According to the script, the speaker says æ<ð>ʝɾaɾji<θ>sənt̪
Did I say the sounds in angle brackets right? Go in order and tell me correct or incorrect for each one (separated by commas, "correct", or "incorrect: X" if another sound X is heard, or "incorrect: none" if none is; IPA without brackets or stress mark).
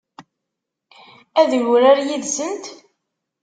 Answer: correct, incorrect: ð